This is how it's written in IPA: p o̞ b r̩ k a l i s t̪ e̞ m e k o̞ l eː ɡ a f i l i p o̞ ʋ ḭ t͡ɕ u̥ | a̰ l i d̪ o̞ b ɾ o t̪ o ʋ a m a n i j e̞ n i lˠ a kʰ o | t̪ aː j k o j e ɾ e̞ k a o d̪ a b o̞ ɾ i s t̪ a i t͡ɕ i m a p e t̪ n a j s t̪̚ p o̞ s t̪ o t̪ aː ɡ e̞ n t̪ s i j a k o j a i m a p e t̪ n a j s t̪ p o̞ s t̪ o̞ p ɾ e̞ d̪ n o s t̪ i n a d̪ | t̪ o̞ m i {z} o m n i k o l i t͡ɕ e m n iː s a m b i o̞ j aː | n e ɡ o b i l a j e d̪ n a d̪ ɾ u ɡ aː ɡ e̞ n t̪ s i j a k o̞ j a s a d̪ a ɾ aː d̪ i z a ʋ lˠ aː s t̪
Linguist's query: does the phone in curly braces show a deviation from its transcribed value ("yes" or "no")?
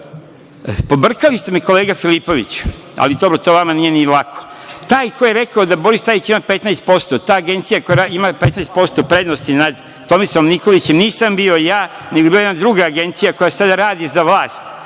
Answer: yes